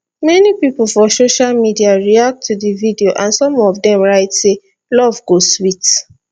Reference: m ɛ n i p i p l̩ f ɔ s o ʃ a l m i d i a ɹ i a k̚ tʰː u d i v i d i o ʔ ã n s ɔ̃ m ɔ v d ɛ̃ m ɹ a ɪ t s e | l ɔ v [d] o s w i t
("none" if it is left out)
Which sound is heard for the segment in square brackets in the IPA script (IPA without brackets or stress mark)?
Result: ɡ